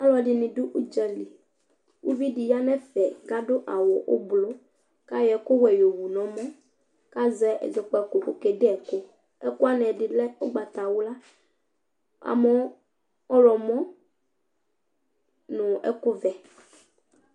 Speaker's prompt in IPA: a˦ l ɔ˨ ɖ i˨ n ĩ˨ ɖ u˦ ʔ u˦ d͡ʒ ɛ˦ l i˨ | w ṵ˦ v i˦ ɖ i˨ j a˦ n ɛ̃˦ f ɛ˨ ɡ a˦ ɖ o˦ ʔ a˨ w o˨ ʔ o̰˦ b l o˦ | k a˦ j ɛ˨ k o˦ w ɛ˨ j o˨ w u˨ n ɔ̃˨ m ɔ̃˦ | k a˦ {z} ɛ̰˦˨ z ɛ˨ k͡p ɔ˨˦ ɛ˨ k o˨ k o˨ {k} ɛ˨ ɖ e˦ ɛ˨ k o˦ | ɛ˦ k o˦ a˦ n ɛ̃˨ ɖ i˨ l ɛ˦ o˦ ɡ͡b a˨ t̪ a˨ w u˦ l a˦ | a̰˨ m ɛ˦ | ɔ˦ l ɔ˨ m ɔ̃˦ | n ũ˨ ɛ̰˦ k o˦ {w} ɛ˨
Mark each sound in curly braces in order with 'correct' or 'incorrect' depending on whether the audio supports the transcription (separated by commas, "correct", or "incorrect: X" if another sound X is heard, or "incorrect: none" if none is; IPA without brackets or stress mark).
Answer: correct, correct, incorrect: v